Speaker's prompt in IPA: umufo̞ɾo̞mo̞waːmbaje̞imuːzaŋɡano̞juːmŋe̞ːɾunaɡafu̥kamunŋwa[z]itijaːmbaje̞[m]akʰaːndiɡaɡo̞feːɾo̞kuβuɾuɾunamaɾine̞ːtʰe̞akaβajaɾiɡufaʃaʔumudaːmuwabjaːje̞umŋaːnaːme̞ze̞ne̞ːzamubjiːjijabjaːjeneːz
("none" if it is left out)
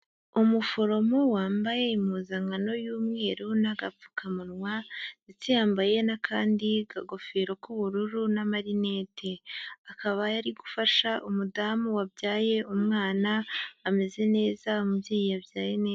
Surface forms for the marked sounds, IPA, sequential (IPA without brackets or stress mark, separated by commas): z, n